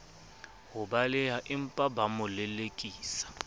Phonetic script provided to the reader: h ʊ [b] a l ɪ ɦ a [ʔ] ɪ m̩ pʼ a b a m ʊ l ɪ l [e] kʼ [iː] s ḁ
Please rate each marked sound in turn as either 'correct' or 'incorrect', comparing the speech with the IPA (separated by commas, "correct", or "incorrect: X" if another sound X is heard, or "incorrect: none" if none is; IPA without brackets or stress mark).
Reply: correct, correct, correct, correct